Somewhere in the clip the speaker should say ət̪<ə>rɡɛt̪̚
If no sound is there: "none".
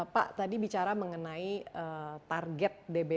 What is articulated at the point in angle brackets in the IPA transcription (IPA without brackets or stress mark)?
a